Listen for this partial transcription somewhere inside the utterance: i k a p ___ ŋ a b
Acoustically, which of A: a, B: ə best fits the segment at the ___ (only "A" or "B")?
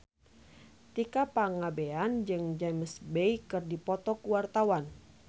A